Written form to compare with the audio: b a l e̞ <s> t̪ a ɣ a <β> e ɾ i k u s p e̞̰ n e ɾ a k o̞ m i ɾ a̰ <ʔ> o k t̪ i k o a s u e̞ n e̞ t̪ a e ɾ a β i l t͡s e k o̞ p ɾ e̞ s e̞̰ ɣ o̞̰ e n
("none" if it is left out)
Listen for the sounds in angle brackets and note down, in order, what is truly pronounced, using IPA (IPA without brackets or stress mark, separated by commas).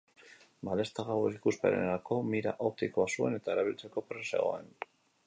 s, w, ʔ